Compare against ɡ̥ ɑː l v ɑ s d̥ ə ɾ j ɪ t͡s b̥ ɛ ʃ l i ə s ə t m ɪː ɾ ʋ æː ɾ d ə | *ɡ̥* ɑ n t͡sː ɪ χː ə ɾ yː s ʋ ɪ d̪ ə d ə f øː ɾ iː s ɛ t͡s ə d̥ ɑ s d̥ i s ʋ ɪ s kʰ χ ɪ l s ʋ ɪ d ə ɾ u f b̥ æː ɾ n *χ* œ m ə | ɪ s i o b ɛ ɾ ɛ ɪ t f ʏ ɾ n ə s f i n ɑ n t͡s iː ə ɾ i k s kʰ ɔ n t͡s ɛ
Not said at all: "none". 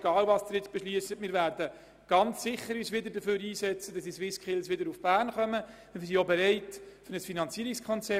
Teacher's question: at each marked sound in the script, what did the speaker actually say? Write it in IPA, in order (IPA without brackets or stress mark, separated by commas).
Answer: ɡ̥, χ